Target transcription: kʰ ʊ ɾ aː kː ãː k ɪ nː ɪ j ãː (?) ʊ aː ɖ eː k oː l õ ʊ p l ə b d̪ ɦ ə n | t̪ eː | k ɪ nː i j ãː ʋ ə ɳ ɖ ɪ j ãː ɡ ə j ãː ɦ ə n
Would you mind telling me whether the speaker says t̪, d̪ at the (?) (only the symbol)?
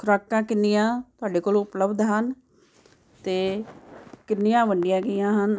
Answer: t̪